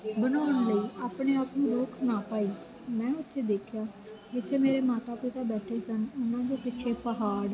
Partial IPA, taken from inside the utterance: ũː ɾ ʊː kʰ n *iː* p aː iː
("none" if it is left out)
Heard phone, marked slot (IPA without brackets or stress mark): aː